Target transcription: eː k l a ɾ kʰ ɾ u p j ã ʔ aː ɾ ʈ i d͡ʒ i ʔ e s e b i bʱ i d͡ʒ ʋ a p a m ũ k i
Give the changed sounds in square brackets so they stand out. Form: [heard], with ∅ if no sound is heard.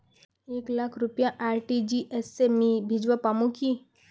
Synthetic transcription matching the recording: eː k l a [∅] kʰ ɾ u p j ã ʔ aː ɾ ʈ i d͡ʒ i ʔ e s e [m] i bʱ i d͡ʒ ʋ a p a m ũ k i